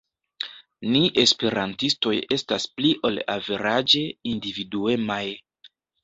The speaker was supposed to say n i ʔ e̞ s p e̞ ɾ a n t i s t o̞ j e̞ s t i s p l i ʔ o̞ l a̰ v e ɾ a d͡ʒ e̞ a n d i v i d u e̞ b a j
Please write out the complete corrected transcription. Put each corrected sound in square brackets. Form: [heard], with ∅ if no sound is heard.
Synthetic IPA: n i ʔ e̞ s p e̞ ɾ a n t i s t o̞ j e̞ s t [a] s p l i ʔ o̞ l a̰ v e ɾ a d͡ʒ e̞ [i] n d i v i d u e̞ [m] a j